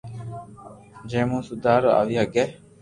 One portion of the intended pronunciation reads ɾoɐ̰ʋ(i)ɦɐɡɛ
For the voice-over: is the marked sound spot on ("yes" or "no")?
yes